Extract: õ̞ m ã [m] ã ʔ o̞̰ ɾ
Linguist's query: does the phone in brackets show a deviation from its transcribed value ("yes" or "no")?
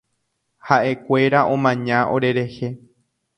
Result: yes